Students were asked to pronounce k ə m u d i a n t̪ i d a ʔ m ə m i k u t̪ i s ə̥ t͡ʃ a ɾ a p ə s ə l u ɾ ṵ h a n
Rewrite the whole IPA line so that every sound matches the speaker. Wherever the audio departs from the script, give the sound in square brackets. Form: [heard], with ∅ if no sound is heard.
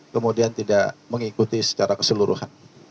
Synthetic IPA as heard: k ə m u d i a n t̪ i d a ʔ m ə [ŋ] i k u t̪ i s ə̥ t͡ʃ a ɾ a [k] ə s ə l u ɾ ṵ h a n